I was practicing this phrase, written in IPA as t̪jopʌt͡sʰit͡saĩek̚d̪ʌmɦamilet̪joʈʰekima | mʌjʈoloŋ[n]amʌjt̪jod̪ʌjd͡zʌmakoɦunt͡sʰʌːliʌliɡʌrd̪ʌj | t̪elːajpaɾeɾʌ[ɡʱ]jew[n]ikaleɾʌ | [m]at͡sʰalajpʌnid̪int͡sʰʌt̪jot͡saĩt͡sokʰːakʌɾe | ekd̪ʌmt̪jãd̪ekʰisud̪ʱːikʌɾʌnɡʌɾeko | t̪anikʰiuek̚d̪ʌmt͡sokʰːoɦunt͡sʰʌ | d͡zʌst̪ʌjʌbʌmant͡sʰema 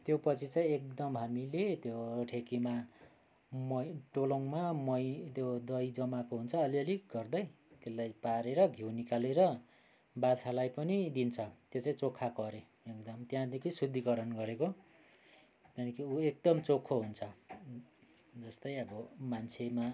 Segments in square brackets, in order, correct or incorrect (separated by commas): incorrect, correct, correct, incorrect